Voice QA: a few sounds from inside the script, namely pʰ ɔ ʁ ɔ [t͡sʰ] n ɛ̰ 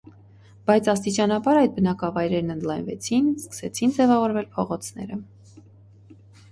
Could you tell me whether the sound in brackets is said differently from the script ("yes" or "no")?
no